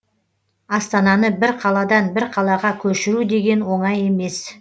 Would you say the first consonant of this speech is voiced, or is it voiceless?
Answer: voiceless